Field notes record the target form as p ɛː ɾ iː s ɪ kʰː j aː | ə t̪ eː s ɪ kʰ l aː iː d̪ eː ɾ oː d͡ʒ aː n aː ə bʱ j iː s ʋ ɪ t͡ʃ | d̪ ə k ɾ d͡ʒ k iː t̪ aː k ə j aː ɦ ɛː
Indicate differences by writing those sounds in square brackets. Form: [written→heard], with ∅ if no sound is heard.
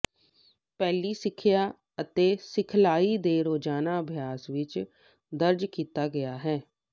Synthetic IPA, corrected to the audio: p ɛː [ɾ→l] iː s ɪ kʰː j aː | ə t̪ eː s ɪ kʰ l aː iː d̪ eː ɾ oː d͡ʒ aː n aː ə bʱ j [iː→aː] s ʋ ɪ t͡ʃ | d̪ ə [k→∅] ɾ d͡ʒ k iː t̪ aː [k→ɡ] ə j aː ɦ ɛː